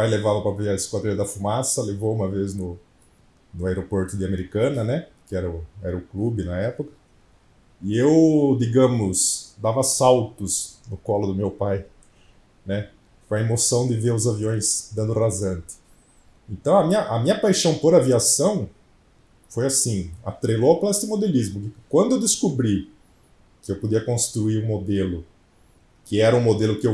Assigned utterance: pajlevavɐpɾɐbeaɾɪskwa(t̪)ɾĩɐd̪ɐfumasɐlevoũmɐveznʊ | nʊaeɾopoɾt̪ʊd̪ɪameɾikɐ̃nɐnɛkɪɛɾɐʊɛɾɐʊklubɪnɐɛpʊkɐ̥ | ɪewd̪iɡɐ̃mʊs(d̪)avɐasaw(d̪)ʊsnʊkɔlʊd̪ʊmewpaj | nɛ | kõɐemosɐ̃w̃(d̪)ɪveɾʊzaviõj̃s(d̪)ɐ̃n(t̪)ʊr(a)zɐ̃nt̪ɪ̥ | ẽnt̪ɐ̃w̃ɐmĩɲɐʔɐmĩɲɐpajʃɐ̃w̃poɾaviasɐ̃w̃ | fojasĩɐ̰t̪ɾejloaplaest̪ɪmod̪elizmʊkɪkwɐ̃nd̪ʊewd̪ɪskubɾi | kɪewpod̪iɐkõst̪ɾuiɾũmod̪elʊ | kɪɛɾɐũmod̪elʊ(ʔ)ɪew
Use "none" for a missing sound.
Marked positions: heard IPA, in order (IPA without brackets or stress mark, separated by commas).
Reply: d̪, d̪, t̪, d̪, d̪, d̪, a, k